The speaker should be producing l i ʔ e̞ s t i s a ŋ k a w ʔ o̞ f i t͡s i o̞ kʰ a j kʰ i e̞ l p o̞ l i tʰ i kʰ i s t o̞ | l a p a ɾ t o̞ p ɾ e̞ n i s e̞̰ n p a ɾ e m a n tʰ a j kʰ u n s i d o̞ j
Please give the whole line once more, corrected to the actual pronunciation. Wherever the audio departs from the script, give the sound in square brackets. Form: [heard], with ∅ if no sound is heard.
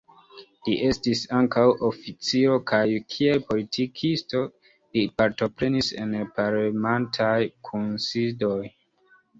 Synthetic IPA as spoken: l i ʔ e̞ s t i s a ŋ k a w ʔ o̞ f i t͡s i o̞ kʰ a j kʰ i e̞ l p o̞ l i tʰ i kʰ i s t o̞ | l [i] p a ɾ t o̞ p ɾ e̞ n i s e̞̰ n p a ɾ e m a n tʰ a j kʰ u n s i d o̞ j